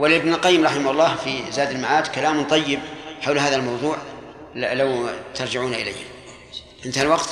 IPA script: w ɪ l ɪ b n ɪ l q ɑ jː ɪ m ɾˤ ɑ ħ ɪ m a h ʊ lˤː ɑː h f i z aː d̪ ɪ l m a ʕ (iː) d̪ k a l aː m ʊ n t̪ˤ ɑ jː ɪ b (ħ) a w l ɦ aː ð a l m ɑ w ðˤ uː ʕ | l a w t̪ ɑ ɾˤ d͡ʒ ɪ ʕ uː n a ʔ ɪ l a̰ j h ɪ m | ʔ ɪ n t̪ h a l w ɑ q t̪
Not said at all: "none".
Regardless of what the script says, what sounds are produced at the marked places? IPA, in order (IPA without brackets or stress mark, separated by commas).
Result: aː, ħ